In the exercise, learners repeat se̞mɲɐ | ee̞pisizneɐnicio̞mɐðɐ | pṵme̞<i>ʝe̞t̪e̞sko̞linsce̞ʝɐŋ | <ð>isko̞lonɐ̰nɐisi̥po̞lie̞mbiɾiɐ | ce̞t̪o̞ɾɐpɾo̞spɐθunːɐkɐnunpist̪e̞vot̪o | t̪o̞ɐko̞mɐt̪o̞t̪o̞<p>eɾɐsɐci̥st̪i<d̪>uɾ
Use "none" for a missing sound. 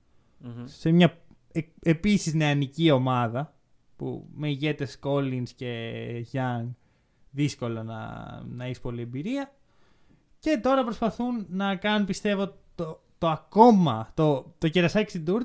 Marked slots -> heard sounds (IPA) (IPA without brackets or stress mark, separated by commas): i, ð, c, d̪